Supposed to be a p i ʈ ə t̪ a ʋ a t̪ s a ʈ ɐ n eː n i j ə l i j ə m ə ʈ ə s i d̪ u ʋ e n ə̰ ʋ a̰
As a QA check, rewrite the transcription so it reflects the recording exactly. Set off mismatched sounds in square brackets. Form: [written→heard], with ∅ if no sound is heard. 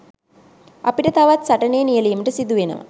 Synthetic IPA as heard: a p i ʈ ə t̪ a ʋ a t̪ s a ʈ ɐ n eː n i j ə l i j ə m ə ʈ ə s i d̪ u ʋ e n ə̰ ʋ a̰